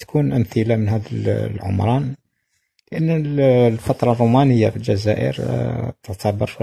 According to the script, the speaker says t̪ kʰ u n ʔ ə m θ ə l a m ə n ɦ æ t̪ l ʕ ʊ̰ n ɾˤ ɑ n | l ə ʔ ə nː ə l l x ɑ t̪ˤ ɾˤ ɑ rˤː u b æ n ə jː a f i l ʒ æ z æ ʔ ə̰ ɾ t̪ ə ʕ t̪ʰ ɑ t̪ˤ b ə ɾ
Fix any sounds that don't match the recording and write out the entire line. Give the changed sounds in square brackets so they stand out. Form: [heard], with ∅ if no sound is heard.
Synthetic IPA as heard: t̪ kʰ u n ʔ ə m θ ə l a m ə n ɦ æ [d̪] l ʕ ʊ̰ [m] ɾˤ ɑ n | l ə ʔ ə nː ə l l [f] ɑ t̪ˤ ɾˤ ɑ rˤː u [m] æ n ə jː a f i l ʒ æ z æ ʔ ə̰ ɾ t̪ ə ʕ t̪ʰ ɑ [∅] b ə ɾ